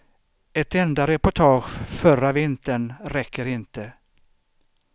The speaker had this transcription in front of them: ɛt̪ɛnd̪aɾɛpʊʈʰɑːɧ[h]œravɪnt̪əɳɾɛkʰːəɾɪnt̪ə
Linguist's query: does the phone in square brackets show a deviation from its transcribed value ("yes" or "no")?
yes